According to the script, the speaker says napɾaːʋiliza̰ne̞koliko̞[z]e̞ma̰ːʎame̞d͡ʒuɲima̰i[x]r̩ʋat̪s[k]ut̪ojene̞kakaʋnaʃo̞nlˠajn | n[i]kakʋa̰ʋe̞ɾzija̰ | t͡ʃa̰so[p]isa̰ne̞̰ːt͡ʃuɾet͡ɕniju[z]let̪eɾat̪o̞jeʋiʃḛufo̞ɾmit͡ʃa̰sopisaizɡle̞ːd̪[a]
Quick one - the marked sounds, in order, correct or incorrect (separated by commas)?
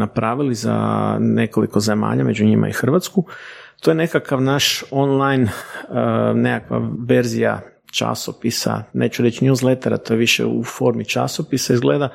correct, correct, correct, incorrect, correct, correct, correct